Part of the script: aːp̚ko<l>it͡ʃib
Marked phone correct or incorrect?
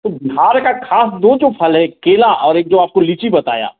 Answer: correct